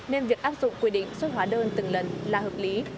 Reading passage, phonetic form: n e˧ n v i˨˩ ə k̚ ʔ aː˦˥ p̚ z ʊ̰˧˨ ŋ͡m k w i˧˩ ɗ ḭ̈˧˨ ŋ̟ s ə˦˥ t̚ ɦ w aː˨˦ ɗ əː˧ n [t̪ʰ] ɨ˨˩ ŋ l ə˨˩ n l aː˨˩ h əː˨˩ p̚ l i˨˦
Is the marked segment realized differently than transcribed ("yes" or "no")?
yes